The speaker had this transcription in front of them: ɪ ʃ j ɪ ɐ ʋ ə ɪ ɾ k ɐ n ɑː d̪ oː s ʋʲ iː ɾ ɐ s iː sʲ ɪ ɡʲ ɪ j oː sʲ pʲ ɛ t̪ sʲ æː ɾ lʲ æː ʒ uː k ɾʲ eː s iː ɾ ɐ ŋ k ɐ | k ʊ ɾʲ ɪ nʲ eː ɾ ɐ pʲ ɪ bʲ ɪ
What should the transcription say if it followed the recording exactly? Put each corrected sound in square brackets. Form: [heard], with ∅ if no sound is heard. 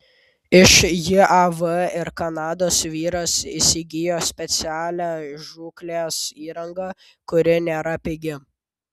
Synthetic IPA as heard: ɪ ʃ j ɪ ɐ ʋ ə ɪ ɾ k ɐ n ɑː d̪ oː s ʋʲ iː ɾ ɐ s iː sʲ ɪ ɡʲ ɪ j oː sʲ pʲ ɛ t̪ sʲ æː [∅] lʲ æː ʒ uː k [lʲ] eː s iː ɾ ɐ ŋ [ɡ] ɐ | k ʊ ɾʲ ɪ nʲ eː ɾ ɐ pʲ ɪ [ɡʲ] ɪ